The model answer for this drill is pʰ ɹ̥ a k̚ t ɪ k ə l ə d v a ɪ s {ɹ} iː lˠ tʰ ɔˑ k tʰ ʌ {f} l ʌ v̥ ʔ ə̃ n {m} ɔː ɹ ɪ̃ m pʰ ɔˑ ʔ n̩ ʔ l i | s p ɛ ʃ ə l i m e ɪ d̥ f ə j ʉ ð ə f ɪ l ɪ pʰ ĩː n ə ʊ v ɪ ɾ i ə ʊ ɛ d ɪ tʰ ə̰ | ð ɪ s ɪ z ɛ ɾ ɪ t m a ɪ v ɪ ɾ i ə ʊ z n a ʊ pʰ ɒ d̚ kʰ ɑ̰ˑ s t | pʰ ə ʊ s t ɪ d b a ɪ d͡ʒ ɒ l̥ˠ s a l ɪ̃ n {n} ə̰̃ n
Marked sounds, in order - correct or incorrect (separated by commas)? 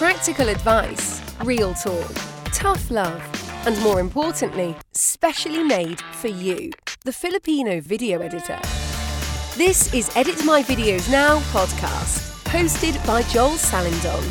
correct, correct, correct, incorrect